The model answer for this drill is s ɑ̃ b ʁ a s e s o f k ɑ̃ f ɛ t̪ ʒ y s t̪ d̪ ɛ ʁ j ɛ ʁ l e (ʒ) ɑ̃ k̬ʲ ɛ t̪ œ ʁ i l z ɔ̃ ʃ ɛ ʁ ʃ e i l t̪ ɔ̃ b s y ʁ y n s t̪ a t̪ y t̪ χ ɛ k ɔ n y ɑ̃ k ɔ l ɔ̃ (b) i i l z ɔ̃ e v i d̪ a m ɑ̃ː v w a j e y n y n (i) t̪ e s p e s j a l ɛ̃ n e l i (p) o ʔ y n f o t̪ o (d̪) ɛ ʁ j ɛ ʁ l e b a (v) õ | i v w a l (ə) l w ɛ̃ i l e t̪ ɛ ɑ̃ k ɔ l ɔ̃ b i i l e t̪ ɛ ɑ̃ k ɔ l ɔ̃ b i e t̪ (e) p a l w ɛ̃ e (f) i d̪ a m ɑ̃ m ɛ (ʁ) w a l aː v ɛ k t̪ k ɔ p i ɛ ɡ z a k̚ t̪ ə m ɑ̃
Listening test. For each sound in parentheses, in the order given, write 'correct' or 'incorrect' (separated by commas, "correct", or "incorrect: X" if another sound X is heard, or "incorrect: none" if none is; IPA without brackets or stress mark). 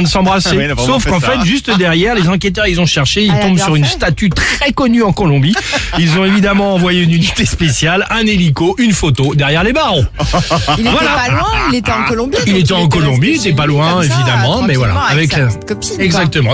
incorrect: z, correct, correct, incorrect: k, correct, incorrect: ʁ, incorrect: a, incorrect: ɛ, incorrect: v, incorrect: v